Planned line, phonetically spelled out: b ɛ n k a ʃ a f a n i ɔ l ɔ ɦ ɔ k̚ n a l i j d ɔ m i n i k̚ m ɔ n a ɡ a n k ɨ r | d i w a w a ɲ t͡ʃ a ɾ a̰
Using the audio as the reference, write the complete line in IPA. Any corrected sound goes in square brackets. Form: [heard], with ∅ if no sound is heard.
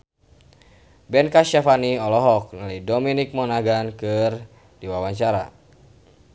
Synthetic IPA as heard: b ɛ n k a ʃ a f a n i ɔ l ɔ ɦ ɔ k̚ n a l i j d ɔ m i n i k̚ m ɔ n a ɡ a n k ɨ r | d i w a w a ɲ t͡ʃ a ɾ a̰